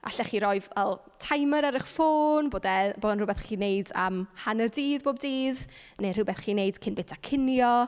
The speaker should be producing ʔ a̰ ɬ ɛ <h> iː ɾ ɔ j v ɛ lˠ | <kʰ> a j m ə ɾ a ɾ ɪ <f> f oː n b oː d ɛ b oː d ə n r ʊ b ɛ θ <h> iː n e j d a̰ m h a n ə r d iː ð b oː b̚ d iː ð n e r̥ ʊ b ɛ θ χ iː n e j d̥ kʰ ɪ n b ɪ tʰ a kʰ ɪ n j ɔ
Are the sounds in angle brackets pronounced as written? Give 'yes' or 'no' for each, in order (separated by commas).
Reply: no, no, no, no